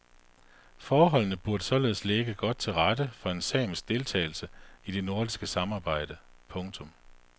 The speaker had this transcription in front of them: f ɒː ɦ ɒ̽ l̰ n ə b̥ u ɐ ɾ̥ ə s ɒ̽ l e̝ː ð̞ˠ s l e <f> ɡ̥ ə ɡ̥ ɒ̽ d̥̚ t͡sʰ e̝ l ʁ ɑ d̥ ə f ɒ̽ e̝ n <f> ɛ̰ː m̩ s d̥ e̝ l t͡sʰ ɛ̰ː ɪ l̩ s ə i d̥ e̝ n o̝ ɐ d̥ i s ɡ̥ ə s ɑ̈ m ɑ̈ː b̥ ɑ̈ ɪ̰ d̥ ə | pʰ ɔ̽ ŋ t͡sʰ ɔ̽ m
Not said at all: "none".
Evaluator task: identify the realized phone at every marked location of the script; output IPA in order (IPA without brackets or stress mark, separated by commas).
none, s